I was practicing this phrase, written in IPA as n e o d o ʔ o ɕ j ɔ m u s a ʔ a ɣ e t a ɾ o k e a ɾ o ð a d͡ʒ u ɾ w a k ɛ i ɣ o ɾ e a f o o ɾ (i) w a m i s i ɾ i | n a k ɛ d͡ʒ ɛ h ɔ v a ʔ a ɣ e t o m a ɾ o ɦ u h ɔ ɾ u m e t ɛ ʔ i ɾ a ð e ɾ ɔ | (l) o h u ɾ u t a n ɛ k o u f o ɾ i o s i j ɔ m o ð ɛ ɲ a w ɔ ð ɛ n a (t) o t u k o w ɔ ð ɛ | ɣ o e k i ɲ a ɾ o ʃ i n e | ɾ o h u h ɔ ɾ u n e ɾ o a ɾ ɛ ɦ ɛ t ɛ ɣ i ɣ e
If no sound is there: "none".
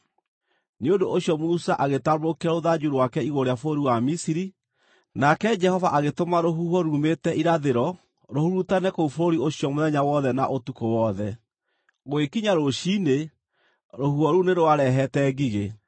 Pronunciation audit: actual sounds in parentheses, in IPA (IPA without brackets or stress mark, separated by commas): i, ɾ, ʔ